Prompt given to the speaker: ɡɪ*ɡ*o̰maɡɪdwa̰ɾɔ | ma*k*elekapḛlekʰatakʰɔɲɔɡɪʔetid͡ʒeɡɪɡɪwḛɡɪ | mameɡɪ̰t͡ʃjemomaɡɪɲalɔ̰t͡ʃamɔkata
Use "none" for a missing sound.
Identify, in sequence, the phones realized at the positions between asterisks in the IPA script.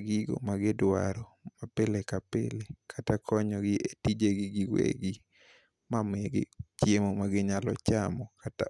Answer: ɡ, p

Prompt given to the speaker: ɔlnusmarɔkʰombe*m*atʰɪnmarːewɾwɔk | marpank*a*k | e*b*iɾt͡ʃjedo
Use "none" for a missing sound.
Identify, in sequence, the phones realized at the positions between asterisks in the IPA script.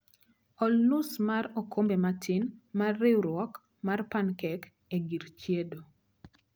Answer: m, ɛ, ɡ

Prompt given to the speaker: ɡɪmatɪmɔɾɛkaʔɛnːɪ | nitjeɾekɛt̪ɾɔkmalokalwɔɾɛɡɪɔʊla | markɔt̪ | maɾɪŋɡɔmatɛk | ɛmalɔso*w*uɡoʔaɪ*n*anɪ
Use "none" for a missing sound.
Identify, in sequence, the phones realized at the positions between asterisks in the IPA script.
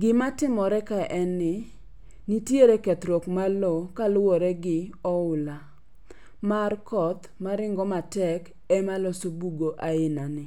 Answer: b, n

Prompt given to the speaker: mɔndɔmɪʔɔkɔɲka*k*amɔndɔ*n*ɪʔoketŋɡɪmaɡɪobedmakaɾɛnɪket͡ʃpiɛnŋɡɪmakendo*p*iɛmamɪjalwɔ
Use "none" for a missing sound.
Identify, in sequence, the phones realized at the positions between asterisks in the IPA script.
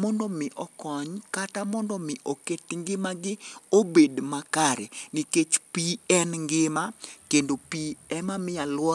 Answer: t, m, p

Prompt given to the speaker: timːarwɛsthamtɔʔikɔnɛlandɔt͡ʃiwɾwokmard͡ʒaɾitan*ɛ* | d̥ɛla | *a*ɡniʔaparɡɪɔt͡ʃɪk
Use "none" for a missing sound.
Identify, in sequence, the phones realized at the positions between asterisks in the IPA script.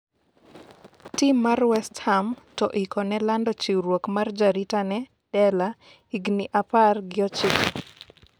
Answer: ɛ, i

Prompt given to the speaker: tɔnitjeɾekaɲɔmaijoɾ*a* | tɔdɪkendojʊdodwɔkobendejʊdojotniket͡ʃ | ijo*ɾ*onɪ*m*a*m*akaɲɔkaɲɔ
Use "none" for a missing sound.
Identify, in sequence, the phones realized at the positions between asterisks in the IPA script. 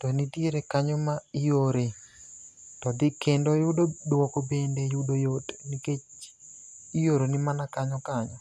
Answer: e, ɾ, m, n

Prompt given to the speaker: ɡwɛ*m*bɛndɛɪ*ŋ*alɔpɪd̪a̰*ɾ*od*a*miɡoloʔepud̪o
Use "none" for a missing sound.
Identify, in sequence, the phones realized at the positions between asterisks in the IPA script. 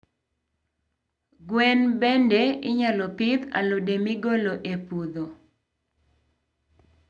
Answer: n, ɲ, l, e

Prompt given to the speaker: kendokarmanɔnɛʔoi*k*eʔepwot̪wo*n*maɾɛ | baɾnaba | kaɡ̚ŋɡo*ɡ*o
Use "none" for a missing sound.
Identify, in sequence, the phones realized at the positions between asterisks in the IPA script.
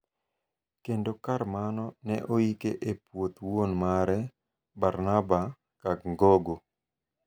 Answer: k, n, ɡ

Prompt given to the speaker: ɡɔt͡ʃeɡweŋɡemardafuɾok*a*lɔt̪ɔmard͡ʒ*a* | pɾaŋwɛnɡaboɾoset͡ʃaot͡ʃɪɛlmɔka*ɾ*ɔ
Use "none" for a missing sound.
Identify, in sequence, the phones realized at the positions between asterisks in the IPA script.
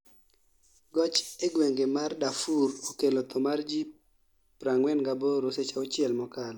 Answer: e, i, l

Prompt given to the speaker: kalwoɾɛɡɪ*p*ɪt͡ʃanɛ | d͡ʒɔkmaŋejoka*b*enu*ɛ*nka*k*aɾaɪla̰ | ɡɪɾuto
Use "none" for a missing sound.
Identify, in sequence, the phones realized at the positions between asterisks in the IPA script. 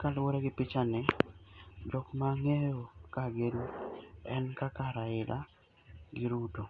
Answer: p, ɡ, ɛ, k

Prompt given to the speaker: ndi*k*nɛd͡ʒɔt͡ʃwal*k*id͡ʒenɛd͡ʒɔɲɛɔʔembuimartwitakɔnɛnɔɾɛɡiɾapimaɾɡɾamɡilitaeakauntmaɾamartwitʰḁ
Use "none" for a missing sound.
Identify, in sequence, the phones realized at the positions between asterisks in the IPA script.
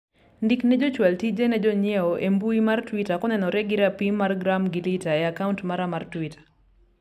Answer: k, t

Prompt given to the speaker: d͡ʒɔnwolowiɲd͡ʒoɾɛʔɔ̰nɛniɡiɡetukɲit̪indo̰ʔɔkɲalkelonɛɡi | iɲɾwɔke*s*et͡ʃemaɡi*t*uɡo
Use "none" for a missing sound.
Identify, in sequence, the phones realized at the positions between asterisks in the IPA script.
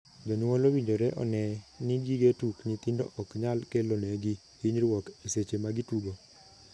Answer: s, t

